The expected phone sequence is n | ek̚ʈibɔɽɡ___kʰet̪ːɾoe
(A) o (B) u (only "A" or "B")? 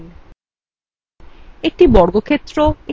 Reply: A